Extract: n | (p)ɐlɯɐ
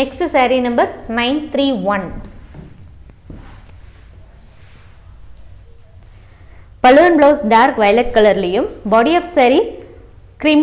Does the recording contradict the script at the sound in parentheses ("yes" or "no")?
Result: no